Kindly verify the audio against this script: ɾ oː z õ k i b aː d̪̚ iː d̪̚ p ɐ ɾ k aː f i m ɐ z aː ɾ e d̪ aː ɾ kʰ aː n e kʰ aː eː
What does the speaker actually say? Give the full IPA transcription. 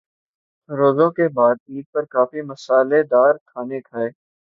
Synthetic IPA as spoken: ɾ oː z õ k e b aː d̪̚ iː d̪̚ p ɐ ɾ k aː f i m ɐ s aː l e d̪ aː ɾ kʰ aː n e kʰ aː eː